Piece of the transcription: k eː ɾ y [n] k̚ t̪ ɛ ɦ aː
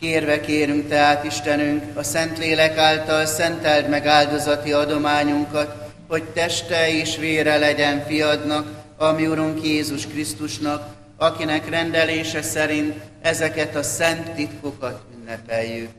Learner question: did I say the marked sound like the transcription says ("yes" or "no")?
no